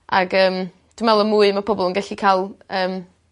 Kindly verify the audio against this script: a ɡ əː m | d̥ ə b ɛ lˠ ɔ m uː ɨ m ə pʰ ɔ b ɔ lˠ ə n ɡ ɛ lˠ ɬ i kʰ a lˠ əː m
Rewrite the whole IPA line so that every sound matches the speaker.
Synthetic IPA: a ɡ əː m | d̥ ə m ɛ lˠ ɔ m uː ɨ m a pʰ ɔ b ɔ lˠ ə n ɡ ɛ ɬ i kʰ a lˠ əː m

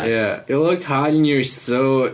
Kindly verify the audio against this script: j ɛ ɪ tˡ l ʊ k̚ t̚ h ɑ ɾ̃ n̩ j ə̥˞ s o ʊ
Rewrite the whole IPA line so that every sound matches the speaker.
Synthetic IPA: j æ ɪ tˡ l ʊ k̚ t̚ h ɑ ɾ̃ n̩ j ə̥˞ s o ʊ

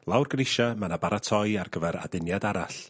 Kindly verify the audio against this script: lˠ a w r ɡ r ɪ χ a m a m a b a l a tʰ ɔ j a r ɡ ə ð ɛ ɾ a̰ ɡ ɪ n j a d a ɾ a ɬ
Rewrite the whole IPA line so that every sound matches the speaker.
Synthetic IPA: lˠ a w r ɡ r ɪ ʃ a m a n a b a ɾ a tʰ ɔ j a r ɡ ə v ɛ ɾ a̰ d ɪ n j a d a ɾ a ɬ

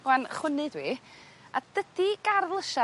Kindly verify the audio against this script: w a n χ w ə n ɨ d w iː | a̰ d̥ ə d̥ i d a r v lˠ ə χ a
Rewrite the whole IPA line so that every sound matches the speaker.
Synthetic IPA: w a n χ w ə n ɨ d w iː | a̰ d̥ ə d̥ i ɡ a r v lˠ ə ʃ a

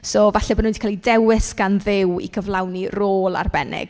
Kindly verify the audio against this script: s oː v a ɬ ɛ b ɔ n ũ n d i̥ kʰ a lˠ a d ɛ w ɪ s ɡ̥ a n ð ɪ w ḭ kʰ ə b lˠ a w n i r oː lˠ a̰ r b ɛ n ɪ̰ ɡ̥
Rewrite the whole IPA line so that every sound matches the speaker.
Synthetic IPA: s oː v a ɬ ɛ b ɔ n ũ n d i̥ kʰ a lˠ i d ɛ w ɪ s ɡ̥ a n ð ɪ w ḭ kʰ ə v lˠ a w n i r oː lˠ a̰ r b ɛ n ɪ̰ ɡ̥

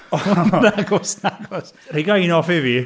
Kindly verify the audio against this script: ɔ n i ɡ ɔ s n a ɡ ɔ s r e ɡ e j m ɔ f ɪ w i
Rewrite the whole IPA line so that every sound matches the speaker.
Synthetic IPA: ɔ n a ɡ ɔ s n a ɡ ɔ s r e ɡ a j n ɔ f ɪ v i

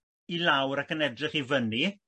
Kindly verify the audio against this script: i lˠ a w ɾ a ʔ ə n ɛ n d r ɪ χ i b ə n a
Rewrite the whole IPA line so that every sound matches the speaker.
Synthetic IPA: i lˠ a w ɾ a k ə n ɛ d r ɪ χ i v ə n i

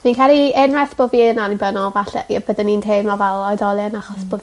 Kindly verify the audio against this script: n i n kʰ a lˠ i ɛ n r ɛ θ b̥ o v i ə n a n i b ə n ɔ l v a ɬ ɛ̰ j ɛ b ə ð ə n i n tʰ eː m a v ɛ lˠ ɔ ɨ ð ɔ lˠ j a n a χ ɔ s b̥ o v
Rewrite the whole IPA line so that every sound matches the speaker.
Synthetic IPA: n i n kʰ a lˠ i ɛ n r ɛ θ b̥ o v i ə n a n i b ə n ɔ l v a ɬ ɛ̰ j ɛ b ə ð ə n i n tʰ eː m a v ɛ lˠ ɔ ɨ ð ɔ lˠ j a n a χ ɔ s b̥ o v

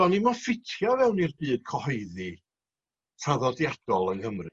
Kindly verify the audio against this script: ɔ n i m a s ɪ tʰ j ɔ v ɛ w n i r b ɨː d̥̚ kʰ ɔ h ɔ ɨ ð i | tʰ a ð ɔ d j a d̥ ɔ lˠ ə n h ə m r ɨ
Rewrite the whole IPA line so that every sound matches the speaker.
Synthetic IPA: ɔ n i m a f ɪ tʰ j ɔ v ɛ w n i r b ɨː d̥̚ kʰ ɔ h ɔ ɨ ð i | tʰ a ð ɔ d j a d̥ ɔ lˠ ə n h ə m r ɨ

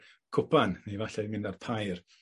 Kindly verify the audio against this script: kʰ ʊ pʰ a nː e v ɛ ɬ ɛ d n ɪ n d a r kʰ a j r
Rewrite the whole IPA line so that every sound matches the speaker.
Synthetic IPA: kʰ ʊ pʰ a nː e v a ɬ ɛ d m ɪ n d a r pʰ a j r

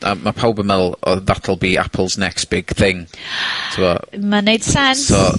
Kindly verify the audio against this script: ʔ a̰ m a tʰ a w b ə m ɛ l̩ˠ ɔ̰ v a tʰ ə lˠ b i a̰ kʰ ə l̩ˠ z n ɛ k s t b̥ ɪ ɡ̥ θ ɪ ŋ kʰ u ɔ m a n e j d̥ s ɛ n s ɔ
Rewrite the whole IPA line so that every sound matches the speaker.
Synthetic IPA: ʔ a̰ m a pʰ a w b ə m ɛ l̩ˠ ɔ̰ ð a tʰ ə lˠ b i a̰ pʰ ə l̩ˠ z n ɛ k s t b̥ ɪ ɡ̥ θ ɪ ŋ tʰ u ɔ m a n e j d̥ s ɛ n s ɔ

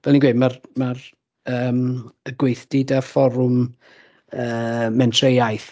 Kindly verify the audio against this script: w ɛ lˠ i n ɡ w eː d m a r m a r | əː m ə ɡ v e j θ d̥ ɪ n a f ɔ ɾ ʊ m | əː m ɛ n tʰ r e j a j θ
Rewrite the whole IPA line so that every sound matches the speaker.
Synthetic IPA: v ɛ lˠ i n ɡ w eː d m a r m a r | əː m ə ɡ w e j θ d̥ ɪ d a f ɔ ɾ ʊ m | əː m ɛ n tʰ r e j a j θ

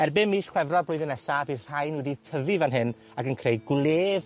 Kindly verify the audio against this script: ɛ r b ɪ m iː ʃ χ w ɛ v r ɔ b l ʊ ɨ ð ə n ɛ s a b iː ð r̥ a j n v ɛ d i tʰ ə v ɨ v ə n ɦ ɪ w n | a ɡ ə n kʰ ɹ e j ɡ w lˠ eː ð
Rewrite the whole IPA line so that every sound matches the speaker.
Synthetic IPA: ɛ r b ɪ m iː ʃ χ w ɛ v r ɔ b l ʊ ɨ ð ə n ɛ s a b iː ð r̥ a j n w ɛ d i tʰ ə v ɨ v a n ɦ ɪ n | a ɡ ə n kʰ r e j ɡ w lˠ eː v

